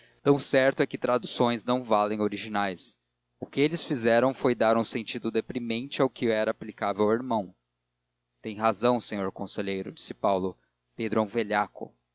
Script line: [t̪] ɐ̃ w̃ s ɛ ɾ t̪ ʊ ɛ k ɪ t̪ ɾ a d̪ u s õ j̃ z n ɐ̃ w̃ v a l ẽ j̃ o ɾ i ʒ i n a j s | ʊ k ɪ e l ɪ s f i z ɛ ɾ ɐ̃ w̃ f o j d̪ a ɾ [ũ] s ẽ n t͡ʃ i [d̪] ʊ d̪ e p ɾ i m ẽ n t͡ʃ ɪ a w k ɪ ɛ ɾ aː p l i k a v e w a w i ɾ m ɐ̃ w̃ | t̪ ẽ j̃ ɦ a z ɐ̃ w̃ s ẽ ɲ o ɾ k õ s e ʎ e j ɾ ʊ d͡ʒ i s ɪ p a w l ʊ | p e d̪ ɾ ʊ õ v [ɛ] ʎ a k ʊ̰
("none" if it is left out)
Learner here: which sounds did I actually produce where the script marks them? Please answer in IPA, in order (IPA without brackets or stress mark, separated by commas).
t̪, ũ, d̪, e